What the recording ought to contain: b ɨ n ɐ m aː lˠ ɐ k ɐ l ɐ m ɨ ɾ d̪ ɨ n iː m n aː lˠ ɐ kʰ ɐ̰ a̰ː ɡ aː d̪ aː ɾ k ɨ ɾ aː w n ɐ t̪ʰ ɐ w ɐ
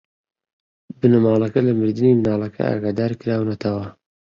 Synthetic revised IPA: b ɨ n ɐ m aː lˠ ɐ k ɐ l ɐ m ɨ ɾ d̪ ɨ n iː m n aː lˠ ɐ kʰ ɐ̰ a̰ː ɡ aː d̪ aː ɾ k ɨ ɾ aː w n ɐ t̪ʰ ɐ w ɐ